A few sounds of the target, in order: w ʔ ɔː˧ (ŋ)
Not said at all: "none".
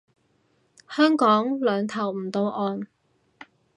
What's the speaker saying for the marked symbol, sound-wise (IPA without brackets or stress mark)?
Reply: n